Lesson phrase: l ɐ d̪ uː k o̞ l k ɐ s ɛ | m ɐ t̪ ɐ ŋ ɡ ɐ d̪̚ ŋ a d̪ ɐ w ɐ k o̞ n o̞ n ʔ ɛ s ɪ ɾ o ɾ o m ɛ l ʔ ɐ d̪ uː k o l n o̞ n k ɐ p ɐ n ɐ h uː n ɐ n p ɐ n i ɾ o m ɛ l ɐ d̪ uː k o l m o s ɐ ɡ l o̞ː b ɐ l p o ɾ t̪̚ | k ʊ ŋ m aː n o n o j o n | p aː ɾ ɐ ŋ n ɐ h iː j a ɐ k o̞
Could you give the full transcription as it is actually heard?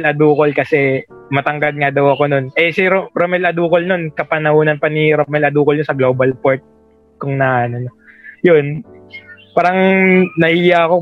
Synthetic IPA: l ɐ d̪ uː k o̞ l k ɐ s ɛ | m ɐ t̪ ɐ ŋ ɡ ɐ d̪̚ ŋ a d̪ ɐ w ɐ k o̞ n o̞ n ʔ ɛ s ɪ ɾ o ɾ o m ɛ l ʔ ɐ d̪ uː k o l n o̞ n k ɐ p ɐ n ɐ h uː n ɐ n p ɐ n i ɾ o m ɛ l ɐ d̪ uː k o l ɲ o s ɐ ɡ l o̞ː b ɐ l p o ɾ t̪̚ | k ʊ ŋ n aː n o n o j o n | p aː ɾ ɐ ŋ n ɐ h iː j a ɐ k o̞